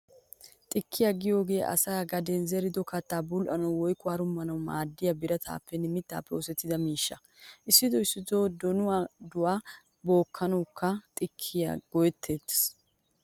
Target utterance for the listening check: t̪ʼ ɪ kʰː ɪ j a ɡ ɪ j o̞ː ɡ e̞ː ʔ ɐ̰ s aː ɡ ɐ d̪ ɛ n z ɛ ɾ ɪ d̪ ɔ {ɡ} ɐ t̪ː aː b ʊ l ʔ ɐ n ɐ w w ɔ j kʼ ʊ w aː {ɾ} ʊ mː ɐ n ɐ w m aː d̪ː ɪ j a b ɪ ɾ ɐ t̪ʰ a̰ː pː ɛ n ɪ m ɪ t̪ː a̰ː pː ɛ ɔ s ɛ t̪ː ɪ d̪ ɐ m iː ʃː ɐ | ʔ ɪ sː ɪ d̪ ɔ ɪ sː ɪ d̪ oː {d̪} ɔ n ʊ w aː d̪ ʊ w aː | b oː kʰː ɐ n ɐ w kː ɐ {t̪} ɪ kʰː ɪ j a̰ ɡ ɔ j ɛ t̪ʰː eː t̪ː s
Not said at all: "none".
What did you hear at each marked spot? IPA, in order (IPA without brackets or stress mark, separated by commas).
k, ɾ, d̪, t̪ʼ